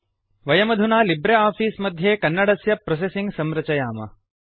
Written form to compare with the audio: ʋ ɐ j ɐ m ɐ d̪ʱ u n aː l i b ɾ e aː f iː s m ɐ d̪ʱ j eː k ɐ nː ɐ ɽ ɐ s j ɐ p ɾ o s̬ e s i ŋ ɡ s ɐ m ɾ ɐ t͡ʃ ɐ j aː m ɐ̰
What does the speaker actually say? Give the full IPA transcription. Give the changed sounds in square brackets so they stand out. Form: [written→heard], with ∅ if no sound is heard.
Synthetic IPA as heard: ʋ ɐ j ɐ m ɐ d̪ʱ u n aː l i b ɾ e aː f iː s m ɐ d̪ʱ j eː k ɐ nː ɐ ɽ ɐ s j ɐ p ɾ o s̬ e s i ŋ ɡ s ɐ m ɾ ɐ t͡ʃ ɐ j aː m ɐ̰